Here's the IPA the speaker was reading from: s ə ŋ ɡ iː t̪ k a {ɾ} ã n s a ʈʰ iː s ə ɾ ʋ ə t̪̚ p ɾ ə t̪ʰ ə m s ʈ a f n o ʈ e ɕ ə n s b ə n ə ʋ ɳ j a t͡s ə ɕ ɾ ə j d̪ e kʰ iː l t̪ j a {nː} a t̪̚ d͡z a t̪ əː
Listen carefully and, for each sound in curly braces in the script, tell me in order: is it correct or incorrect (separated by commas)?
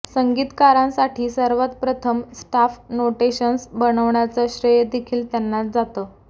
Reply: correct, correct